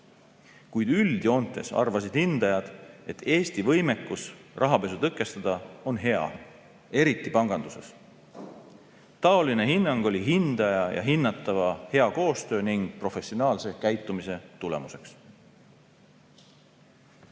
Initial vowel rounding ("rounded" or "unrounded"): rounded